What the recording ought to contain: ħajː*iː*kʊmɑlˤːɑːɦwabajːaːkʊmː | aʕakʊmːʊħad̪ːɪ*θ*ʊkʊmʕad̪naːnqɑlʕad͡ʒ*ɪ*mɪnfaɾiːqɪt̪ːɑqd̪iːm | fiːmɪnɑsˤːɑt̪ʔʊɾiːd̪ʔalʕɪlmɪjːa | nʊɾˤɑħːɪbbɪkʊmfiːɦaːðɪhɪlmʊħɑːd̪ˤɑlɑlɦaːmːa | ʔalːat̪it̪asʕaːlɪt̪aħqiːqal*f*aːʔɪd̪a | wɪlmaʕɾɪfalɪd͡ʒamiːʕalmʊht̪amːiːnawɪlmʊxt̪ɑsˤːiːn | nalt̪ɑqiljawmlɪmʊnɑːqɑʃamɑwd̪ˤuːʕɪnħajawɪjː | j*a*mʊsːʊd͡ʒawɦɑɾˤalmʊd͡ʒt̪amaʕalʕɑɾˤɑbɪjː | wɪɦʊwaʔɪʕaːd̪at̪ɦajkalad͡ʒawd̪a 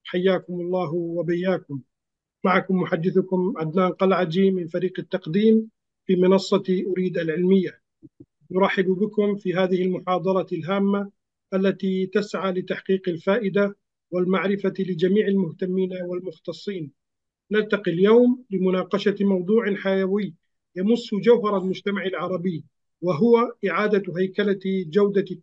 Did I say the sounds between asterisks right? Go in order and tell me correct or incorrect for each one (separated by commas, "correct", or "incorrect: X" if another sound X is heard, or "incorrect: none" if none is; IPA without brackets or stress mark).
incorrect: aː, correct, incorrect: i, correct, correct